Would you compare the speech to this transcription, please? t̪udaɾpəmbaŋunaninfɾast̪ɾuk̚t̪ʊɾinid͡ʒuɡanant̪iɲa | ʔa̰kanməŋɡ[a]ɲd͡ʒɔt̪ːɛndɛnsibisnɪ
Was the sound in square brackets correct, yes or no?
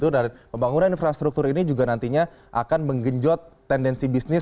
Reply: no